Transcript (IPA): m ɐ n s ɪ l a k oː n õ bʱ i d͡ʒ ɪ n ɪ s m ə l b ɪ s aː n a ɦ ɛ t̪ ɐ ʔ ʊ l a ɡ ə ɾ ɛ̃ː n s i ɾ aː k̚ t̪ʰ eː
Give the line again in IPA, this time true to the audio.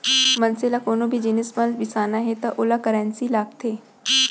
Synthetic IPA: m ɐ n s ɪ l a k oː n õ bʱ i d͡ʒ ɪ n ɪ s m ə l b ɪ s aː n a ɦ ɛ t̪ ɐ ʔ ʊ l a k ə ɾ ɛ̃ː n s i l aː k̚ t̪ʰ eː